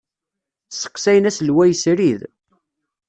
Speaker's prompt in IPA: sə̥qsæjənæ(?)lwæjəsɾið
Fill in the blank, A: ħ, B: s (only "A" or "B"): B